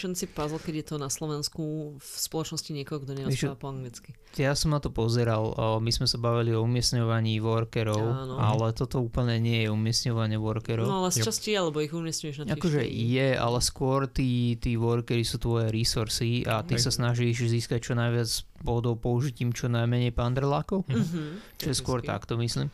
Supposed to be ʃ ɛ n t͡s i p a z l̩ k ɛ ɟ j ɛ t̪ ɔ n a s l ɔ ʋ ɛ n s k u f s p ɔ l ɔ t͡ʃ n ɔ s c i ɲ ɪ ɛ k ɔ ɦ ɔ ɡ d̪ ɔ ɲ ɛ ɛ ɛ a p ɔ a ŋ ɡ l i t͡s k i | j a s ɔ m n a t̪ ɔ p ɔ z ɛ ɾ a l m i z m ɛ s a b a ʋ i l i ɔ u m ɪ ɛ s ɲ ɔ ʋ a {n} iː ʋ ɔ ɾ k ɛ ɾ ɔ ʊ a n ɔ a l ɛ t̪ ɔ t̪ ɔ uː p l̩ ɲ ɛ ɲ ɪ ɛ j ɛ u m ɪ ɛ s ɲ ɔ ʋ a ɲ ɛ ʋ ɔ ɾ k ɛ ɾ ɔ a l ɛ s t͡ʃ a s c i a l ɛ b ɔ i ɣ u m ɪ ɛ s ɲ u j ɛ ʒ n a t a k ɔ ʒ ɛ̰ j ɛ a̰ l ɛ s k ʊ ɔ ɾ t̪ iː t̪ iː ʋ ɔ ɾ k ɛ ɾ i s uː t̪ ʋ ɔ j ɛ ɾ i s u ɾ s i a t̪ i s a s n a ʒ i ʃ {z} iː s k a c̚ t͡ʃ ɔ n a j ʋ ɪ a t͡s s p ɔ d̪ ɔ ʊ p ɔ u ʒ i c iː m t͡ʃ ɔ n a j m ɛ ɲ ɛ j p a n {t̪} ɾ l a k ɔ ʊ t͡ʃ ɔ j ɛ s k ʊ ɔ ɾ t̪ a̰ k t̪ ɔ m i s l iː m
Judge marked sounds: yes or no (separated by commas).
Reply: no, yes, no